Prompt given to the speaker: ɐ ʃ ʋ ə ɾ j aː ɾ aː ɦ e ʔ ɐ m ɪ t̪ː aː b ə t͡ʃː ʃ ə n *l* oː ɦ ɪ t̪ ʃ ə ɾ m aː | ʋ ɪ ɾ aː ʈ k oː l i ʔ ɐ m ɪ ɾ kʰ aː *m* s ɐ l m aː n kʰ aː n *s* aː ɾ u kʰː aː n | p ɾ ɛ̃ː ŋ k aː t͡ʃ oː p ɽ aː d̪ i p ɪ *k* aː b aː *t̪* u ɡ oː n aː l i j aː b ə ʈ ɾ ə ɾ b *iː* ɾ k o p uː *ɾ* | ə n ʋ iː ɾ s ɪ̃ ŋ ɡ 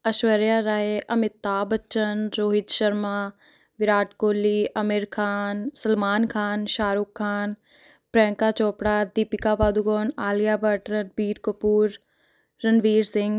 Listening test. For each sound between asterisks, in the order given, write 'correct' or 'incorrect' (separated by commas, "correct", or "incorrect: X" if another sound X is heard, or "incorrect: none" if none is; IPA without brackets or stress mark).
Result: incorrect: ɾ, incorrect: n, incorrect: ʃ, correct, incorrect: d̪, correct, incorrect: ɾː